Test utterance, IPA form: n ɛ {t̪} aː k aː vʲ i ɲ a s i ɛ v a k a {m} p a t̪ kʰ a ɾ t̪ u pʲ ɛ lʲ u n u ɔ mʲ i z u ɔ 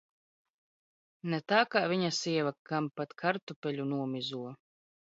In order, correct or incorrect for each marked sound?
correct, correct

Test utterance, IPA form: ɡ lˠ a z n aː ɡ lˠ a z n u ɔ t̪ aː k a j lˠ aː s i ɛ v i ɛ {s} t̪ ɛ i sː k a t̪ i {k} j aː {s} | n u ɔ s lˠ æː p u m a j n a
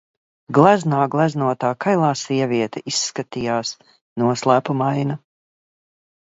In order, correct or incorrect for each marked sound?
incorrect, incorrect, correct

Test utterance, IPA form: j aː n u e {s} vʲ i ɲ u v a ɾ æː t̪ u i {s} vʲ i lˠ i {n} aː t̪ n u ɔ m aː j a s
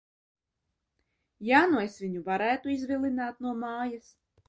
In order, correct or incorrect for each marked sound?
correct, incorrect, correct

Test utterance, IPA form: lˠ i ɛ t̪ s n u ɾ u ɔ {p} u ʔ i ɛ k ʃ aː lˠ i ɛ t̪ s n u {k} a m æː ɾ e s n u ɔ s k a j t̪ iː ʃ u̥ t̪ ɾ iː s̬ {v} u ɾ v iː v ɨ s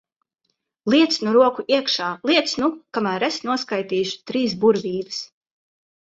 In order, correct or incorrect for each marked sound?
incorrect, correct, incorrect

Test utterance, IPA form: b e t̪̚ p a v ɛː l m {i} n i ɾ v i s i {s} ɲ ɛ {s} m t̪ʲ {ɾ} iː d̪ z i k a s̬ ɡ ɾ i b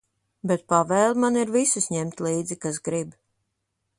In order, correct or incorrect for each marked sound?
incorrect, correct, incorrect, incorrect

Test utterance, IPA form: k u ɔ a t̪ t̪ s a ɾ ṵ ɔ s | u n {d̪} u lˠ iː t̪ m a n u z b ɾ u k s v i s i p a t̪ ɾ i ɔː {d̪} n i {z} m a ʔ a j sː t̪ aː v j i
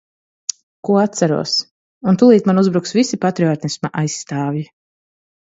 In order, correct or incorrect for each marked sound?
incorrect, incorrect, incorrect

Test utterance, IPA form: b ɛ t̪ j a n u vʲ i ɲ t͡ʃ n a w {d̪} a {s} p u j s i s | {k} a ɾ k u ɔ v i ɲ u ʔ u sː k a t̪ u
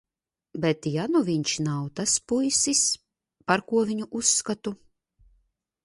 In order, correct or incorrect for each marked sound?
incorrect, correct, incorrect

